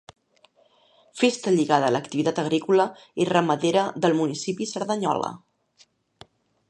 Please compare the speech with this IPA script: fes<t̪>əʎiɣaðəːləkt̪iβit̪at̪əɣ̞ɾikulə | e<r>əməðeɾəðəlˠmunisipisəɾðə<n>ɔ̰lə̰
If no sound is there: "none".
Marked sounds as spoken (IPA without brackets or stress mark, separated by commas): t̪, r, ɲ